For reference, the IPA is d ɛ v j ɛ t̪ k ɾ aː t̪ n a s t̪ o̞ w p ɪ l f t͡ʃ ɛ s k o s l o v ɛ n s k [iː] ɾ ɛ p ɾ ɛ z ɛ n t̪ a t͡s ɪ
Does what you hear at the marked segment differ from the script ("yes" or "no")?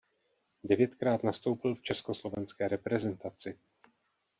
yes